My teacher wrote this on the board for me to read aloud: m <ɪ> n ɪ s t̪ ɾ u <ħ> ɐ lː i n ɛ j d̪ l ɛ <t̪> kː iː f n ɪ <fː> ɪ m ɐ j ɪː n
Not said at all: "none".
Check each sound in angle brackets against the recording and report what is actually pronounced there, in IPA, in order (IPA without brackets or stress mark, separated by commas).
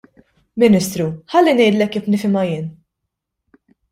ɪ, ħ, none, f